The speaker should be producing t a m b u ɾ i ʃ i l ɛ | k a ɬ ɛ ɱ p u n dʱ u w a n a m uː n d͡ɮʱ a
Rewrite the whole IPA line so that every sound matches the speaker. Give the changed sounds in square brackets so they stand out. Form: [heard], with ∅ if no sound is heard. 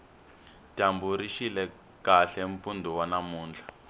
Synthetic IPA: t a m b u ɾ i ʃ i l ɛ | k a ɬ ɛ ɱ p u n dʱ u w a n a m uː n d͡ɮʱ a